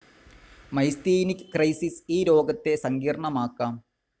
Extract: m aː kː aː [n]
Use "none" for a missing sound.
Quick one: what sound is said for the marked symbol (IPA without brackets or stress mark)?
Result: m